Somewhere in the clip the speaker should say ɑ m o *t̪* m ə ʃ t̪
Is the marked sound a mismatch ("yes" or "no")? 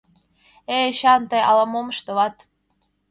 yes